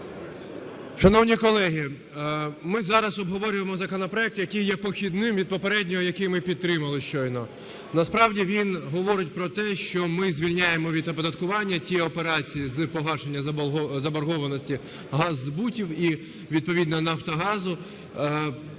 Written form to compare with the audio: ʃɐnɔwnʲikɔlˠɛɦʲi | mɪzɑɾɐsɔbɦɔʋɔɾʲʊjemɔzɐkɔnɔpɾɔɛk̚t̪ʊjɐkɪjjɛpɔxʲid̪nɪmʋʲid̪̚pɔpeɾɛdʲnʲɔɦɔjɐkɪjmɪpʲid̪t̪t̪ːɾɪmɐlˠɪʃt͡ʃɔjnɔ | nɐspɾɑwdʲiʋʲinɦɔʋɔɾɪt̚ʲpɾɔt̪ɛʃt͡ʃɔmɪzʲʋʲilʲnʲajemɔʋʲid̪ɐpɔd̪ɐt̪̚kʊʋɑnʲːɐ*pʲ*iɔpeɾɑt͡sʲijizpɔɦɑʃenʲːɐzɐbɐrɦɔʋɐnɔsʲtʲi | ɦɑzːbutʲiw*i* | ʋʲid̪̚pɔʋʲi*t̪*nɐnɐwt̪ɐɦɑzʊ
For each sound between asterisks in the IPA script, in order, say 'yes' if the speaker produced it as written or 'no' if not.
no, yes, no

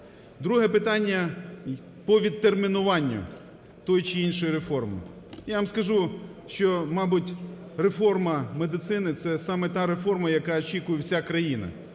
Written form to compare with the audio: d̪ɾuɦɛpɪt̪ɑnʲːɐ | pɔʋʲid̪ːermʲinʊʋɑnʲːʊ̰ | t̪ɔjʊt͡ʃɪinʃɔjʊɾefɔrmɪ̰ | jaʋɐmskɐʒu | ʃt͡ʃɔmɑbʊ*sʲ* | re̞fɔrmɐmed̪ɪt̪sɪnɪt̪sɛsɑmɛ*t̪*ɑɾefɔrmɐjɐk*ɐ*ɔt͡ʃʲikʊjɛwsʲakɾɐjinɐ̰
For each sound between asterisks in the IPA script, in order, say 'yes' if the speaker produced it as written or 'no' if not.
no, yes, no

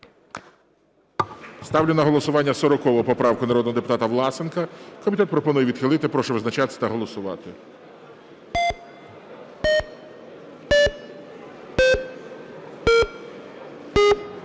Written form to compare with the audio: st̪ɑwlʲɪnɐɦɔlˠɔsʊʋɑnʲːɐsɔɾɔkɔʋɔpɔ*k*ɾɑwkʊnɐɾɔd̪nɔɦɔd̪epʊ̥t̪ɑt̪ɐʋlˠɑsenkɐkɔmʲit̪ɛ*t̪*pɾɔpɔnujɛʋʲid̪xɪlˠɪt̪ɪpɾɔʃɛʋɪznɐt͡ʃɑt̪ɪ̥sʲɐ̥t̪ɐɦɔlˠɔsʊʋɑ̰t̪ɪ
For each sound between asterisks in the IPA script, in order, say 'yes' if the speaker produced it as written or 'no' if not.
no, yes

